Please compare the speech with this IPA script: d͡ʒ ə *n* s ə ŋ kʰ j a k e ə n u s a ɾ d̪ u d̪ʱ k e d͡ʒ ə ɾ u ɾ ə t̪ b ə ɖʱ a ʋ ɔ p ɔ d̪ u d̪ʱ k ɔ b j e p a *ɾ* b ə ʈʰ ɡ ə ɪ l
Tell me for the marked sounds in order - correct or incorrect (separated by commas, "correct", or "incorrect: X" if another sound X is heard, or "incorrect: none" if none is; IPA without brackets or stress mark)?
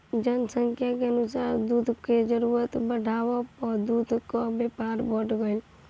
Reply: correct, correct